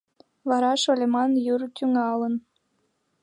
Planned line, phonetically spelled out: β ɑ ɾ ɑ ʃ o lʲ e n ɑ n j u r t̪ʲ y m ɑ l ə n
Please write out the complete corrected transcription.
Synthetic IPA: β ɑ ɾ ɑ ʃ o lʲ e m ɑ n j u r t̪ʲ y ŋ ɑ l ə n